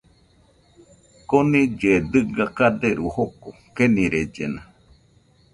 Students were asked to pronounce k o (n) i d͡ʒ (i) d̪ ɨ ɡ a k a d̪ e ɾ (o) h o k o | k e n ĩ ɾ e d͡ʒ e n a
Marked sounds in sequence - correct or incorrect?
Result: correct, incorrect: e, incorrect: u

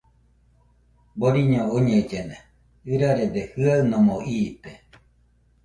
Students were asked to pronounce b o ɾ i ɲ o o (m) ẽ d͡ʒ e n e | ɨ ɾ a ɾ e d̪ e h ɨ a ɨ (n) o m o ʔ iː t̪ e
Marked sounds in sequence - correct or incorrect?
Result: incorrect: ɲ, correct

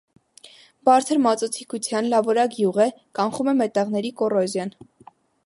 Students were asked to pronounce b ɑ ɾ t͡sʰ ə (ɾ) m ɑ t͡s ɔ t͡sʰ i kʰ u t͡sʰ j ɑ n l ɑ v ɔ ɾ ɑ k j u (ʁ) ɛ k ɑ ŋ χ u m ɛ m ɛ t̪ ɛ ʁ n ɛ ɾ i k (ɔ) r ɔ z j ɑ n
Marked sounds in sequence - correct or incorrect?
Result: correct, correct, correct

